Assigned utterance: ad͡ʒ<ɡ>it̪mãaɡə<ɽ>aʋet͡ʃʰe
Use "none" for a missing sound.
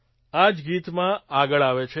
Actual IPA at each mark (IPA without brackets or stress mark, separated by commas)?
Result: ɡ, ɭ